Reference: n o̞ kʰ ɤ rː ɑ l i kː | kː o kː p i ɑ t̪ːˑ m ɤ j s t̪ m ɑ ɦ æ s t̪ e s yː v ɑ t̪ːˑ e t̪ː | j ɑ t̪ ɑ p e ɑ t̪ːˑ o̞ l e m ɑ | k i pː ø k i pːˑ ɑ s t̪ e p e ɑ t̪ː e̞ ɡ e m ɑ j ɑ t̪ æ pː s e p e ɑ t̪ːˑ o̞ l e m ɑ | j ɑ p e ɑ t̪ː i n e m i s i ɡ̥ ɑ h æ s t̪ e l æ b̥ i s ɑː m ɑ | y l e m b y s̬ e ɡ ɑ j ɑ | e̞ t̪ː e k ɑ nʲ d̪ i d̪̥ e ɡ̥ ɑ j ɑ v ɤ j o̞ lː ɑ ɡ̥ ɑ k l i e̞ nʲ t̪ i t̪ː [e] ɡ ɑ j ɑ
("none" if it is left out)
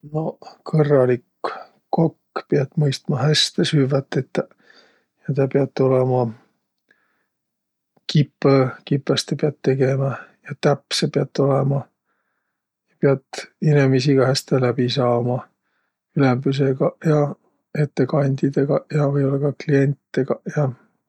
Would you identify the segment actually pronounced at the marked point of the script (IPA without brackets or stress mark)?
e